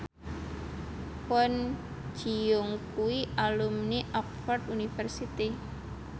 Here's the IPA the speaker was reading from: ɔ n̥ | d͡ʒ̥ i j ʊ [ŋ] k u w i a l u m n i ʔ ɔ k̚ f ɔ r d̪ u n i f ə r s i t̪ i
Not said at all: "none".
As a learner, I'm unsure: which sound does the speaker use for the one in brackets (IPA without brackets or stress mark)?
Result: ŋ